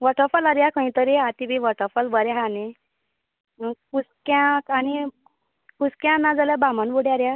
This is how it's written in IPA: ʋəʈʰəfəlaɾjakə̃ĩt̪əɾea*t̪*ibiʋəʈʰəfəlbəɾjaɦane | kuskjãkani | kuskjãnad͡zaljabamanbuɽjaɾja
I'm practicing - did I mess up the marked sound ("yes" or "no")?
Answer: no